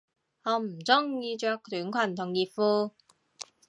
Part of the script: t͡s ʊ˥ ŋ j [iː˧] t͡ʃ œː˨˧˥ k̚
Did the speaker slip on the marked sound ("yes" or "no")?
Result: no